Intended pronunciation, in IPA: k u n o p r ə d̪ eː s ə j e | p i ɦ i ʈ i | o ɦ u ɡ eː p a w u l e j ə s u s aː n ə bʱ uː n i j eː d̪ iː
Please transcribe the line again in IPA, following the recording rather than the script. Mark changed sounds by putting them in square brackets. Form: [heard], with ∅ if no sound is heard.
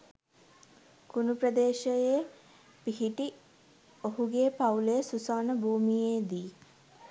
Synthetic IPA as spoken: k u n [u] p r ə d̪ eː [ʃ] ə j e | p i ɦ i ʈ i | o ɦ u ɡ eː p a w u l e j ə s u s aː n ə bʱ uː [m] i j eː d̪ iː